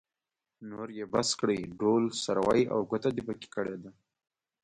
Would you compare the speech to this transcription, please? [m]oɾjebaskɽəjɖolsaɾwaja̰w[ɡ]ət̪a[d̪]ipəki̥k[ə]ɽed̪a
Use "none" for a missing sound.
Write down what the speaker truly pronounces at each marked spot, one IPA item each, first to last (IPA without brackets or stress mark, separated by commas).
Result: n, ɡ, d̪, ə